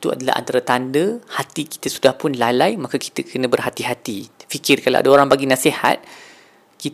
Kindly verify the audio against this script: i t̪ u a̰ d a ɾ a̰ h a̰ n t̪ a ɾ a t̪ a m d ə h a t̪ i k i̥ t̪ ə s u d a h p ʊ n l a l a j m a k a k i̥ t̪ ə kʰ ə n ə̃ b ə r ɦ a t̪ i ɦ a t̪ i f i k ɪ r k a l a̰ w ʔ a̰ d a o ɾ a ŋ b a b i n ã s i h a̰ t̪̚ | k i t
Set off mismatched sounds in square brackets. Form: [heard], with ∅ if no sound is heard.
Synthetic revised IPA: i t̪ u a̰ d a [l] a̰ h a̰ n t̪ a ɾ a t̪ a [n] d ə h a t̪ i k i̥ t̪ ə s u d a h p ʊ n l a l a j m a k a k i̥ t̪ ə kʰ ə n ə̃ b ə r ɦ a t̪ i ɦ a t̪ i f i k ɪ r k a l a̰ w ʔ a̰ d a o ɾ a ŋ b a [ɡ] i n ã s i h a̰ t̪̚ | k i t